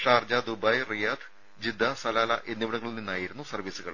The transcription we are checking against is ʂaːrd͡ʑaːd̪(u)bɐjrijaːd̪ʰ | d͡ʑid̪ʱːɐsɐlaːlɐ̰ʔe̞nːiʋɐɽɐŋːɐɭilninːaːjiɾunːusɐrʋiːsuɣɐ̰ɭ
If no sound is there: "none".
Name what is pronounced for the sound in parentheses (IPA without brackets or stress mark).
u